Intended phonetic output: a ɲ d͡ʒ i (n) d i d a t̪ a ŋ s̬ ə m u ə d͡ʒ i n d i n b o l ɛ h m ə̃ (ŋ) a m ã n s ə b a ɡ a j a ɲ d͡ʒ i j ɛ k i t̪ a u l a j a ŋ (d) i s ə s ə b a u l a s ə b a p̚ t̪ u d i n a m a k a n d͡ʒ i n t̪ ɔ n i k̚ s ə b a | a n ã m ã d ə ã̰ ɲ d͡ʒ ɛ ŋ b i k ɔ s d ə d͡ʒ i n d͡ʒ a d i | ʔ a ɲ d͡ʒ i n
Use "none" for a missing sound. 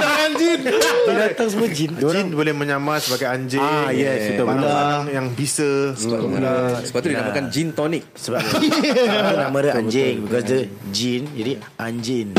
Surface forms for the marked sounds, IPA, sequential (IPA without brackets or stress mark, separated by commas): n, ɲ, b